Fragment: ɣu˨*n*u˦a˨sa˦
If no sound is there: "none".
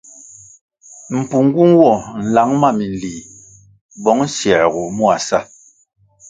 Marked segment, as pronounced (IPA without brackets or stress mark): m